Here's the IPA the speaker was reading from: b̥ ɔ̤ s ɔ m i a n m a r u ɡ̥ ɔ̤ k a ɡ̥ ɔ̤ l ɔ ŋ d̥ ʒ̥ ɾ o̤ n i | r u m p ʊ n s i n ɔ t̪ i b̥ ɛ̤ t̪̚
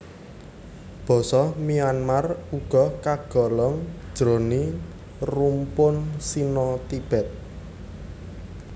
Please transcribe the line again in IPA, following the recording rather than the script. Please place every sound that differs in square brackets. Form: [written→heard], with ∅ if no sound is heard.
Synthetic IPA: b̥ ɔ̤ s ɔ m i a n m a r u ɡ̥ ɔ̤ k a ɡ̥ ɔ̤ l ɔ ŋ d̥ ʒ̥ ɾ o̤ n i | r u m p ʊ n s i n ɔ t̪ i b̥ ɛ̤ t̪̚